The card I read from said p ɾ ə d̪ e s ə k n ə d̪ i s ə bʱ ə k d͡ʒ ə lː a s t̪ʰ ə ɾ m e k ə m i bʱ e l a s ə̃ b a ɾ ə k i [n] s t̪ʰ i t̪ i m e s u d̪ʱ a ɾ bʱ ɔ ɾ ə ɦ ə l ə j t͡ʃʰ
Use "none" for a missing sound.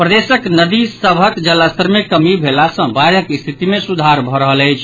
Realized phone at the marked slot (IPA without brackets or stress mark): none